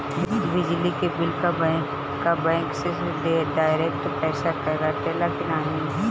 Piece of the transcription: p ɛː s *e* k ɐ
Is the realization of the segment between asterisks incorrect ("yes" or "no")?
yes